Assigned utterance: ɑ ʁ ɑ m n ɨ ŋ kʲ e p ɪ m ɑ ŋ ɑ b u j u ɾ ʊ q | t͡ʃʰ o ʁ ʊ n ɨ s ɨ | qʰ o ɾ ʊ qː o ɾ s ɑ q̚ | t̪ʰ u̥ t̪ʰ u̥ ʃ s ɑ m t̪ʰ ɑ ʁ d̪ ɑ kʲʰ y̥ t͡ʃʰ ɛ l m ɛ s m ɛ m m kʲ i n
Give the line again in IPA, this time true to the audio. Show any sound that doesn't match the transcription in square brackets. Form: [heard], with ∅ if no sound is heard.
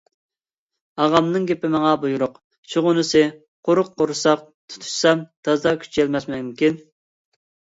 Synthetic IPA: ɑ ʁ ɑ m n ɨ ŋ [ɡʲ] e p ɪ m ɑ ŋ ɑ b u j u ɾ ʊ q | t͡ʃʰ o ʁ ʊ n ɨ s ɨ | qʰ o ɾ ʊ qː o ɾ s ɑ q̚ | t̪ʰ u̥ t̪ʰ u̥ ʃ s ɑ m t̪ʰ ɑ [z] d̪ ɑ kʲʰ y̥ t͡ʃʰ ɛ l m ɛ s m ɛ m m kʲ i n